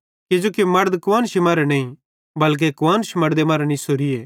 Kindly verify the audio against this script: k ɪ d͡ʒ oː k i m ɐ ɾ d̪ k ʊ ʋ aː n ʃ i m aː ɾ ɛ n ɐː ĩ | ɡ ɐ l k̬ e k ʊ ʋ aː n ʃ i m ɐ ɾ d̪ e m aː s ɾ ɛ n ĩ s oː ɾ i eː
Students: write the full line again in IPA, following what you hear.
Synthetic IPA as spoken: k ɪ d͡ʒ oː k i m ɐ ɾ d̪ k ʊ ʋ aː n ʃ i m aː ɾ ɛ n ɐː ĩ | b ɐ l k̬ e k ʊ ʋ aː n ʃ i m ɐ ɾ d̪ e m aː ɾ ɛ n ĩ s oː ɾ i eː